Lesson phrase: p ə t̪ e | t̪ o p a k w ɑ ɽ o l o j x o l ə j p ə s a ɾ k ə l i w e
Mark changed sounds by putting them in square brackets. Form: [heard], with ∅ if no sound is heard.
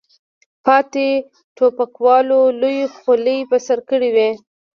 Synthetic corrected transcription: p [ɑ] t̪ e | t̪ o p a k w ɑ [l] o l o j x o l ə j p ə s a ɾ k ə [ɽ] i w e